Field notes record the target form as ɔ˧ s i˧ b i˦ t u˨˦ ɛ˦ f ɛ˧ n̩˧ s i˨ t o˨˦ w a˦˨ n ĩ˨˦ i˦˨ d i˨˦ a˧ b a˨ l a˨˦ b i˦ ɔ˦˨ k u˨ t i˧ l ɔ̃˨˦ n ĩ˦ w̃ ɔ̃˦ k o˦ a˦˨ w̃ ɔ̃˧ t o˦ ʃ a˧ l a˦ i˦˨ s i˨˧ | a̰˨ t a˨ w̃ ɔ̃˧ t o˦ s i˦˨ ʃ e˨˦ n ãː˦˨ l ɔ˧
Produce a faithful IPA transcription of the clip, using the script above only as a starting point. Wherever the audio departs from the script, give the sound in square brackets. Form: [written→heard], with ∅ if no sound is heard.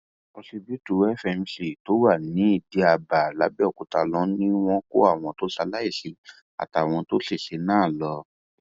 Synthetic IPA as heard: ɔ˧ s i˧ b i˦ t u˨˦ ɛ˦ f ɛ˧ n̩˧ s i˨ t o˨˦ w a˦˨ n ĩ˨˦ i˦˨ d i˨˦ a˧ b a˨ l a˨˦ b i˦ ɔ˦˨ k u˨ t [i˧→a˧] l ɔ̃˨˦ n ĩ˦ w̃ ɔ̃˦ k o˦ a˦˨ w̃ ɔ̃˧ t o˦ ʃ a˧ l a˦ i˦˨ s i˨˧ | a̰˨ t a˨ w̃ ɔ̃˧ t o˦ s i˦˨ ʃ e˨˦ n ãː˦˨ l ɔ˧